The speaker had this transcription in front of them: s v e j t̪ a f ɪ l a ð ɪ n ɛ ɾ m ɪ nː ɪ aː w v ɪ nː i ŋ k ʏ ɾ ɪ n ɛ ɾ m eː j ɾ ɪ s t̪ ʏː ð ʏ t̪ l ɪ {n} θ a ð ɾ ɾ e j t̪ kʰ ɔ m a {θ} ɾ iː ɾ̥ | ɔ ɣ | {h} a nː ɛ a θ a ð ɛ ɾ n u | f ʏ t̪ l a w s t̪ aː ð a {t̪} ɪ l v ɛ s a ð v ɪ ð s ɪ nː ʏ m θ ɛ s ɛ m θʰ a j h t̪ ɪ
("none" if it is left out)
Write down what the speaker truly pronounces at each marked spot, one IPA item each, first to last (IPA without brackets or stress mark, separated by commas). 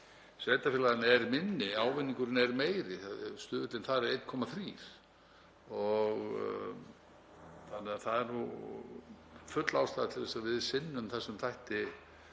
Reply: n, θ, θ, t̪ʰ